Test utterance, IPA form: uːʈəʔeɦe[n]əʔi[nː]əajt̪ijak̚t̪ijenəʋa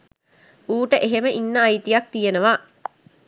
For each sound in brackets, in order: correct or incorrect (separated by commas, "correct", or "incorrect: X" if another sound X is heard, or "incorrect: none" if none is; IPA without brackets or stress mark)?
incorrect: m, correct